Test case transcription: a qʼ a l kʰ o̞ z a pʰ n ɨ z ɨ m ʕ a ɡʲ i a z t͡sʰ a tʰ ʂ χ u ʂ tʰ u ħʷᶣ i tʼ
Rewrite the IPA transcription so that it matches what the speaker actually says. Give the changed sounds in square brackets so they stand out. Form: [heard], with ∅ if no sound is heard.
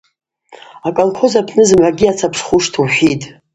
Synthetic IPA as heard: a [kʼ] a l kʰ o̞ z a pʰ n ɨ z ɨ m ʕ a ɡʲ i a [∅] t͡sʰ a [pʰ] ʂ χ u ʂ tʰ u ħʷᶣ i tʼ